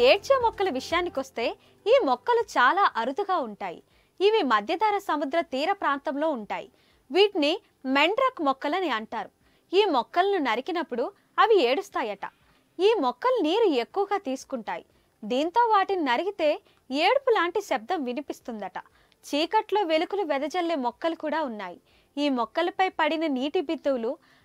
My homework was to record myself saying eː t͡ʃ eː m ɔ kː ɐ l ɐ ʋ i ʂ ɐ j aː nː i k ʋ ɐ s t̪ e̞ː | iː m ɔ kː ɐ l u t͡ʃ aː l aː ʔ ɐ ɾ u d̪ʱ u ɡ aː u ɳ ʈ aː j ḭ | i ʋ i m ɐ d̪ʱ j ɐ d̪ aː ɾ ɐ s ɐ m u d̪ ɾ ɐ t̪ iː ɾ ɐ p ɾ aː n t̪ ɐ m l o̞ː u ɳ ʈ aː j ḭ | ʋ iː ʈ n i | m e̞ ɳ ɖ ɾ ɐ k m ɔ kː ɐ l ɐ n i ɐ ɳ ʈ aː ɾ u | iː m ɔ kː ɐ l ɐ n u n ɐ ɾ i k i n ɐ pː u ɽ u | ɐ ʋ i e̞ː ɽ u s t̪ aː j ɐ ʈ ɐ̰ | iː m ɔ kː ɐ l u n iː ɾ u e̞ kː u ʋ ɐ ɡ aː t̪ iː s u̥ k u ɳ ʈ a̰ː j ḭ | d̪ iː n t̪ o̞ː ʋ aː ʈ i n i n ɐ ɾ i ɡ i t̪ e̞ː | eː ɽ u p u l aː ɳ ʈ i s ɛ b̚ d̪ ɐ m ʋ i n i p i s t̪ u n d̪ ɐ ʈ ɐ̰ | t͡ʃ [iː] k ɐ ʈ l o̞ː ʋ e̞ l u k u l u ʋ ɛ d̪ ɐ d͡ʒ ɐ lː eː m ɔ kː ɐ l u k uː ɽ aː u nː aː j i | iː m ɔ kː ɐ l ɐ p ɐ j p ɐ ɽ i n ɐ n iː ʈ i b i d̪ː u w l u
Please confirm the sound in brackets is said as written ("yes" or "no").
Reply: yes